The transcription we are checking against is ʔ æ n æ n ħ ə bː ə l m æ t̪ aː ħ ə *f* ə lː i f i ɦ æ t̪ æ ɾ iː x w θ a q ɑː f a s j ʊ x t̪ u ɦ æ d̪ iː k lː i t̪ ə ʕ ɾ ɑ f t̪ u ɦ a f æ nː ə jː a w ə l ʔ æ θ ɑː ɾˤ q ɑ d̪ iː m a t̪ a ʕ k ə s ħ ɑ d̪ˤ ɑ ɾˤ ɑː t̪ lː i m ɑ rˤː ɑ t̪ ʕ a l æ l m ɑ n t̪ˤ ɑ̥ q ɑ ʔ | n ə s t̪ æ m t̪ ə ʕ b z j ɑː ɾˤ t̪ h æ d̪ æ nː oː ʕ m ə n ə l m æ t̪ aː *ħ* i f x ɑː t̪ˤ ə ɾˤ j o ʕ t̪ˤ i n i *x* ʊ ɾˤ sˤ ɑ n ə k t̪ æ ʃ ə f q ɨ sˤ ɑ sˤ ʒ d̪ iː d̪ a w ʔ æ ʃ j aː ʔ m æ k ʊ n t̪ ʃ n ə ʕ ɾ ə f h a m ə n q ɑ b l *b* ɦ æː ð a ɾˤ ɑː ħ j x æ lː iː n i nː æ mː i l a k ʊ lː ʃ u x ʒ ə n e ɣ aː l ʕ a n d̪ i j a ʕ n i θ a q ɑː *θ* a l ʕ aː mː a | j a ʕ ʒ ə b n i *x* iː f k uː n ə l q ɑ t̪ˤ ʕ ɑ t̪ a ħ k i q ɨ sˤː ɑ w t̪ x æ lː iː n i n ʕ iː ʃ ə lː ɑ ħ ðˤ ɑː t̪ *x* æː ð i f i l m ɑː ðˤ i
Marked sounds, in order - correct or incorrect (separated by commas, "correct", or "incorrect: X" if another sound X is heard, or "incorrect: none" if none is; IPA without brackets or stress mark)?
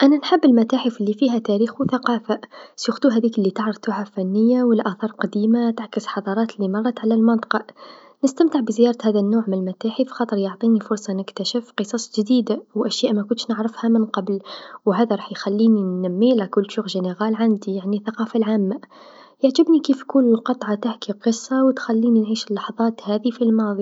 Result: correct, correct, incorrect: f, incorrect: w, incorrect: f, incorrect: k, incorrect: h